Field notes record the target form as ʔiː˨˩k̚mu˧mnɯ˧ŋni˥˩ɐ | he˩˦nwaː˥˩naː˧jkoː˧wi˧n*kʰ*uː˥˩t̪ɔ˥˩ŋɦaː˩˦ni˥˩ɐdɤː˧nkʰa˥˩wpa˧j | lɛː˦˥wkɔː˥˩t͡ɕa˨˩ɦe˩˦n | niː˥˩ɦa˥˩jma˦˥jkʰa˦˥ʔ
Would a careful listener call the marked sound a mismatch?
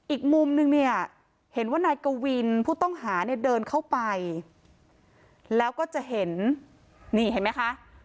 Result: yes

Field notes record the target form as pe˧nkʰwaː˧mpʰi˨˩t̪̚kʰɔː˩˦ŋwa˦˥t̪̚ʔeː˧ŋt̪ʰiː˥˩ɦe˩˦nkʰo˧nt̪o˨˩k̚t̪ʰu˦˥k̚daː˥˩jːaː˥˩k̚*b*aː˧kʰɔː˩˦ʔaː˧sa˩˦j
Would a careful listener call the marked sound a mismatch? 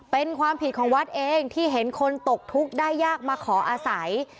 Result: yes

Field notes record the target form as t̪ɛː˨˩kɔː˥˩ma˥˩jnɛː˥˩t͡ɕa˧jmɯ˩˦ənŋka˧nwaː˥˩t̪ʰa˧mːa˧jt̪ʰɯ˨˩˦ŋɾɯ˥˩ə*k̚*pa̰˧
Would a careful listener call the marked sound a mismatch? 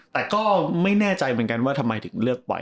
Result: no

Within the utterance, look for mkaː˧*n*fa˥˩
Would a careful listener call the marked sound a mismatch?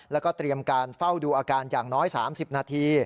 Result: no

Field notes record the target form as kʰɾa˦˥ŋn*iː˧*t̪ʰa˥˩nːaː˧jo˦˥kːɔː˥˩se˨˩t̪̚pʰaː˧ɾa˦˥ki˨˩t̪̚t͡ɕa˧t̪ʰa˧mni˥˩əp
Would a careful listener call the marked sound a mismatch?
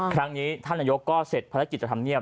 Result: yes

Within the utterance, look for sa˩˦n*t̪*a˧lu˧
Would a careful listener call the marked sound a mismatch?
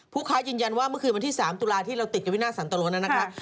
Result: no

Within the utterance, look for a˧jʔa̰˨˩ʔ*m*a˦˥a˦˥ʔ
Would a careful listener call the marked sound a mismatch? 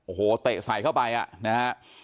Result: yes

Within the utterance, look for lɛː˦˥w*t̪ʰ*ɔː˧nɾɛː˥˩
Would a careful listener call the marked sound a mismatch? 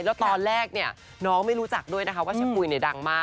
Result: yes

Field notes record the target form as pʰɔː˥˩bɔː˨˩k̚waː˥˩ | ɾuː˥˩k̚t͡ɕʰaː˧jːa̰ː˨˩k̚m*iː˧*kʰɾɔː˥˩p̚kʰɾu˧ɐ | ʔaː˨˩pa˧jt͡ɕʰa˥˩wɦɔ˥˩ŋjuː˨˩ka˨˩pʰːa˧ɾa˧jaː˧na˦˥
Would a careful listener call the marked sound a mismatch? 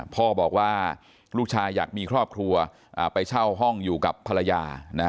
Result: no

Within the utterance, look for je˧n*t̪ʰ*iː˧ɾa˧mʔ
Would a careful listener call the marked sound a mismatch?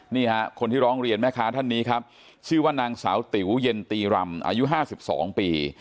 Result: yes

